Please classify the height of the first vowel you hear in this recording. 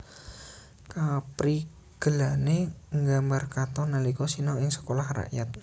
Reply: low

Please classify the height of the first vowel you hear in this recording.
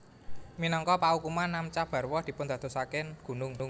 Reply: high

